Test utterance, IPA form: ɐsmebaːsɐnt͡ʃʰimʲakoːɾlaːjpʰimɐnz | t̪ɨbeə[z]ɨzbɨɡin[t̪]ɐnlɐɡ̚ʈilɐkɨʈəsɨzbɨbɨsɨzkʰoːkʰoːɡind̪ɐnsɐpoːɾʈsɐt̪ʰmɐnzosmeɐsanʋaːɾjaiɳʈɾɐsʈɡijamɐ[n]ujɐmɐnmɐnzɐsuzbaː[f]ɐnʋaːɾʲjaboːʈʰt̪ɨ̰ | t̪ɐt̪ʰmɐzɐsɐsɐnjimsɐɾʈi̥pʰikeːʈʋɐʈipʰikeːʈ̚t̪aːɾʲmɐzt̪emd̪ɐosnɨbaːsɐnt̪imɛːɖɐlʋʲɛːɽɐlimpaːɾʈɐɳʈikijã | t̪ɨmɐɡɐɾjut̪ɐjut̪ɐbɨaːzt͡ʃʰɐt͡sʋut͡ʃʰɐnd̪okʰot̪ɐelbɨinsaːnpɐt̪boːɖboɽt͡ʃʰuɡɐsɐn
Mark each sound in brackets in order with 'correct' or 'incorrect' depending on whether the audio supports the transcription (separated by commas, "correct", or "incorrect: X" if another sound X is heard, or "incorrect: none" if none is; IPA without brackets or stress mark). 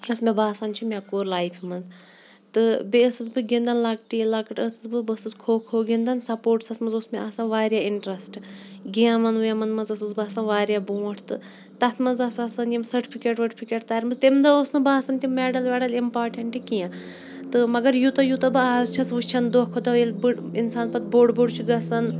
incorrect: s, incorrect: d̪, correct, incorrect: s